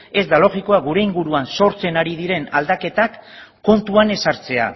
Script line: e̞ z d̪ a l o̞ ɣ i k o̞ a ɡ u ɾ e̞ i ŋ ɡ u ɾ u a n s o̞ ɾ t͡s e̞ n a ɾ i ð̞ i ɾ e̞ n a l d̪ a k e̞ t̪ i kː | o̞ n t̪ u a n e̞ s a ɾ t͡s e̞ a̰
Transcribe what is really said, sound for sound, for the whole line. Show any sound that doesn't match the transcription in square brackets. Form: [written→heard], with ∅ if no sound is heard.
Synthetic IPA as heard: e̞ z d̪ a l o̞ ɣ i k o̞ a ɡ u ɾ e̞ i ŋ ɡ u ɾ u a n s o̞ ɾ t͡s e̞ n a ɾ i ð̞ i ɾ e̞ n a l d̪ a k e̞ t̪ [i→a] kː | o̞ n t̪ u a n e̞ s a ɾ t͡s e̞ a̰